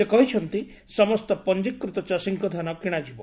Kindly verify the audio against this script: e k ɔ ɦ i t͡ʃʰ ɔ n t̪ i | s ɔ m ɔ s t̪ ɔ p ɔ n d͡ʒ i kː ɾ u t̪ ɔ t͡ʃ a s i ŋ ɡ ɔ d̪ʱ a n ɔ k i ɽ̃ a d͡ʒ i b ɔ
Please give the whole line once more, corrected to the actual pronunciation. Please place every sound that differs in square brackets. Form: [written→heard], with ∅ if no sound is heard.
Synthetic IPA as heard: e k ɔ ɦ i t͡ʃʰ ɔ n t̪ i | s ɔ m ɔ s t̪ ɔ p ɔ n d͡ʒ i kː ɾ u t̪ ɔ t͡ʃ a s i ŋ [ɡ→k] ɔ d̪ʱ a n ɔ k i ɽ̃ a d͡ʒ i b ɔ